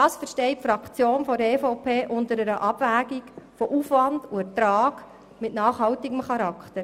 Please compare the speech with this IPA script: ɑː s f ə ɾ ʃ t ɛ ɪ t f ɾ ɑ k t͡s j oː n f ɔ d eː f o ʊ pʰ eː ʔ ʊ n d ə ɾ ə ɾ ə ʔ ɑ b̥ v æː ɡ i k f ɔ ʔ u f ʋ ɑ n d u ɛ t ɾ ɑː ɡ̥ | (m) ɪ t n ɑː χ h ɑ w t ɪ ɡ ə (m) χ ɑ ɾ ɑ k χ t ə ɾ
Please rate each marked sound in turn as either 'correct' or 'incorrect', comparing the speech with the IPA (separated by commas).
correct, correct